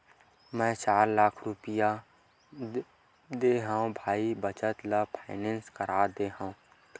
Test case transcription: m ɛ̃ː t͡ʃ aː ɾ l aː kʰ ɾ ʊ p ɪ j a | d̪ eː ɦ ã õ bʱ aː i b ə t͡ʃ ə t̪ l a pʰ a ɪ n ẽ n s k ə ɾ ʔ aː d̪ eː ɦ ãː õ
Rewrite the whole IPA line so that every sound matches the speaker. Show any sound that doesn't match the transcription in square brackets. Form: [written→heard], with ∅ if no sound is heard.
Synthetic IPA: m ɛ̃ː t͡ʃ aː ɾ l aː kʰ ɾ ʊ p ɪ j a | d̪ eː ɦ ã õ bʱ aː i b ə t͡ʃ ə t̪ l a pʰ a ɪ n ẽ n s k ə ɾ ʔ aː d̪ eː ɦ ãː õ